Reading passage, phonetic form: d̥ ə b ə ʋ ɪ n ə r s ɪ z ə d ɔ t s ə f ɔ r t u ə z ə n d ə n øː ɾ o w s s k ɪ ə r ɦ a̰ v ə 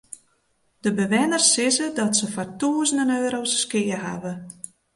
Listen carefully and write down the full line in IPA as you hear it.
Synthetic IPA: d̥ ə b ə ʋ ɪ n ə r s ɪ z ə d ɔ t s ə f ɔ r t u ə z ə n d ə n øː ɾ o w s s k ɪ ə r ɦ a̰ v ə